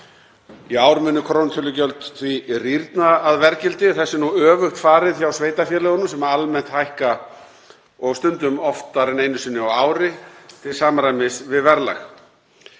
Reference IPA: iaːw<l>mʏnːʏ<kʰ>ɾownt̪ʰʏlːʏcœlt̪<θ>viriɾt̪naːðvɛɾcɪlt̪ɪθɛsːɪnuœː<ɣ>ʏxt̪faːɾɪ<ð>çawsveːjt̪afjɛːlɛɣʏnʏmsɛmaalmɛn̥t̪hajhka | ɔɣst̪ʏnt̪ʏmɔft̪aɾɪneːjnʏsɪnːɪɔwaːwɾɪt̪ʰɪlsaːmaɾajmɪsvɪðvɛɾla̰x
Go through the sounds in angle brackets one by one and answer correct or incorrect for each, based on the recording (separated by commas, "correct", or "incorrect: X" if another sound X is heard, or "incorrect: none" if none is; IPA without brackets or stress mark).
incorrect: ɾ, correct, correct, incorrect: v, correct